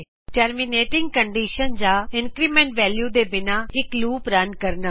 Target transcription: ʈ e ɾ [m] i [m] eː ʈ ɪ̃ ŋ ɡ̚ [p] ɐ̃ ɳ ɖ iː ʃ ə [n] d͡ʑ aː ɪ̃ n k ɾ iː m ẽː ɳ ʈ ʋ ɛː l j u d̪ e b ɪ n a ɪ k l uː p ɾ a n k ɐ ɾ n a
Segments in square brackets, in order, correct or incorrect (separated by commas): correct, incorrect, incorrect, correct